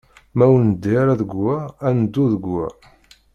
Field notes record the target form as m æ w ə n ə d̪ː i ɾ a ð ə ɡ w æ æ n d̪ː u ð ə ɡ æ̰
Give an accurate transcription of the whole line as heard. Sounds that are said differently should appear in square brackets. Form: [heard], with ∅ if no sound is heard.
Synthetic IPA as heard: m æ w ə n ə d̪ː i ɾ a ð ə ɡ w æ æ n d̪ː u ð ə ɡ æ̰